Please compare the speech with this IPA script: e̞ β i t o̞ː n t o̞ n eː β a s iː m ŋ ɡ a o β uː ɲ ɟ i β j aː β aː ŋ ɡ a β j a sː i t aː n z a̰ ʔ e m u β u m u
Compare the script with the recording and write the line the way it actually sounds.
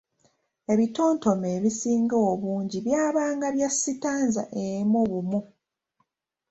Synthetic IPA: e̞ β i t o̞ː n t o̞ m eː β i s iː ŋ ɡ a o β uː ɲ ɟ i β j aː β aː ŋ ɡ a β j a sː i t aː n z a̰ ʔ e m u β u m u